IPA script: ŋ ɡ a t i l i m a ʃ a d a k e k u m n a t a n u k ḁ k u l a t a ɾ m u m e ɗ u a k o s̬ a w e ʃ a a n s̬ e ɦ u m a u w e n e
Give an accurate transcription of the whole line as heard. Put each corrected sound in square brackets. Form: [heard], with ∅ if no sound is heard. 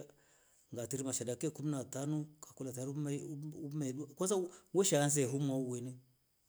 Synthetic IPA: ŋ ɡ a t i [ɾ] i m a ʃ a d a k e k u m n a t a n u k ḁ k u l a t a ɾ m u m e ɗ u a k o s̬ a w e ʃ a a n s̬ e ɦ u m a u w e n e

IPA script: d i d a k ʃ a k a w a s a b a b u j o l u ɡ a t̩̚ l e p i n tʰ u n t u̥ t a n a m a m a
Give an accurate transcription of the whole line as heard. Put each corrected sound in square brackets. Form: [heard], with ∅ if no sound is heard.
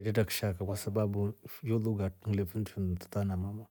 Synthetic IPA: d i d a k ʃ a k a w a s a b a b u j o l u ɡ a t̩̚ l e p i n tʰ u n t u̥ t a n a m a m a

